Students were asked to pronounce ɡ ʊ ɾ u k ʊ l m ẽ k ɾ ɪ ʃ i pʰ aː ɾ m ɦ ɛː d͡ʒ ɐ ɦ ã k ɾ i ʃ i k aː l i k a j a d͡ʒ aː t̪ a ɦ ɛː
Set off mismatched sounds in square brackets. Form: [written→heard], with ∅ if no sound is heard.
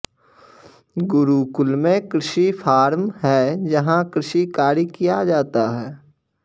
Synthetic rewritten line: ɡ ʊ ɾ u k ʊ l m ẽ k ɾ ɪ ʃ i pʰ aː ɾ m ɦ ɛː d͡ʒ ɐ ɦ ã k ɾ [i→ɪ] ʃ i k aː [l→ɾ] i k [a→i] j a d͡ʒ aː t̪ a ɦ ɛː

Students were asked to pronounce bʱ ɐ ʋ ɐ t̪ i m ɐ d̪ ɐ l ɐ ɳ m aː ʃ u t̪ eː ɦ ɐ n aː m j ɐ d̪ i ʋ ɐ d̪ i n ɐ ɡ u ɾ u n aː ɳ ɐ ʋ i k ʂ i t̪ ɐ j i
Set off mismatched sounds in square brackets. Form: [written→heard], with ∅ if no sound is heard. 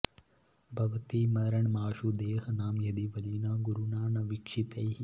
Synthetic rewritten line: bʱ ɐ ʋ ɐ t̪ i m ɐ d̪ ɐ [l→ɾ] ɐ ɳ m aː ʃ u [t̪→d̪] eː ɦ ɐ n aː m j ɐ d̪ i ʋ ɐ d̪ i n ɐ ɡ u ɾ u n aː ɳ ɐ ʋ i k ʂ i t̪ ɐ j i

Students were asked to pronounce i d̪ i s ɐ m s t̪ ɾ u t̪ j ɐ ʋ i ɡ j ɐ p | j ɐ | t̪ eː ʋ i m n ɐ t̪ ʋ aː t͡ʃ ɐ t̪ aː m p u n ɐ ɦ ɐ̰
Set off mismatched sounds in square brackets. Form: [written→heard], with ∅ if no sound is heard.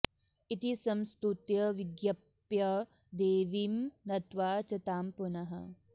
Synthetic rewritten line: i [d̪→t̪] i s ɐ m s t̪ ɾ u t̪ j ɐ ʋ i ɡ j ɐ p | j ɐ | [t̪→d̪] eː ʋ i m n ɐ t̪ ʋ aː t͡ʃ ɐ t̪ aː m p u n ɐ ɦ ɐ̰

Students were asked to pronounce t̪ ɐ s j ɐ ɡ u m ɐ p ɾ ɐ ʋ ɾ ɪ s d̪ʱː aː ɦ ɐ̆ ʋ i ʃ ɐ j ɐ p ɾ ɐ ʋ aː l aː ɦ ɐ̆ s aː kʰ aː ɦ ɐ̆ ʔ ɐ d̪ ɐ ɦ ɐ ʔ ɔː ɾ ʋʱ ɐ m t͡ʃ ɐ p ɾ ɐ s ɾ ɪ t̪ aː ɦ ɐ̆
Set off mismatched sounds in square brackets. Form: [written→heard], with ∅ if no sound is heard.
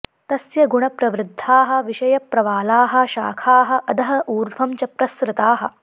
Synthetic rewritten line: t̪ ɐ s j ɐ ɡ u [m→ɳ] ɐ p ɾ ɐ ʋ ɾ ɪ [s→∅] d̪ʱː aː ɦ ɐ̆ ʋ i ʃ ɐ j ɐ p ɾ ɐ ʋ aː l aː ɦ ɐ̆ [s→ʃ] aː kʰ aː ɦ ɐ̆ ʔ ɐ d̪ ɐ ɦ ɐ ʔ [ɔː→uː] ɾ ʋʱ ɐ m t͡ʃ ɐ p ɾ ɐ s ɾ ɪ t̪ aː ɦ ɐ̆

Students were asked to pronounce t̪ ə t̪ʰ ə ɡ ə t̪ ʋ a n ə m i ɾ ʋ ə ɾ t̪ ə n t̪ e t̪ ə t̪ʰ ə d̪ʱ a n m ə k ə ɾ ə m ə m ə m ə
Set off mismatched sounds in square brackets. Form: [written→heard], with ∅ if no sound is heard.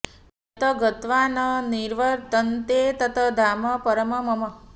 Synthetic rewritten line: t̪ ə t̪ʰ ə ɡ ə t̪ ʋ a n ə [m→n] i ɾ ʋ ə ɾ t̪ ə n t̪ e t̪ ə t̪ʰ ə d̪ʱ a [n→∅] m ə [k→p] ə ɾ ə m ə m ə m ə

